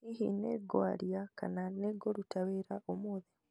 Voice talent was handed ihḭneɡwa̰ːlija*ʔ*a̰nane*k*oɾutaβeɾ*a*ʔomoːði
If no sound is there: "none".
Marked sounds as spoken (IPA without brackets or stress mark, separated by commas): k, ɡ, a